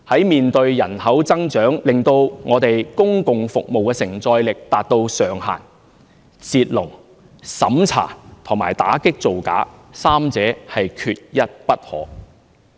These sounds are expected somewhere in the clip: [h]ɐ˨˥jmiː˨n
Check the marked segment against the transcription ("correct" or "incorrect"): correct